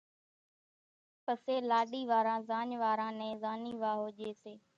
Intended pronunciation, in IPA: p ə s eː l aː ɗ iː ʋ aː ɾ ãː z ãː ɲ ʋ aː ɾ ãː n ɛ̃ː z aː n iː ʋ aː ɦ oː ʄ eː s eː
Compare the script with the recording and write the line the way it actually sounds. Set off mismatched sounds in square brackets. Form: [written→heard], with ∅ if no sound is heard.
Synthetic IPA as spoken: p ə s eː l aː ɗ iː ʋ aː ɾ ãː z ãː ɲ ʋ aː ɾ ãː n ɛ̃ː z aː n iː ʋ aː ɦ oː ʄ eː s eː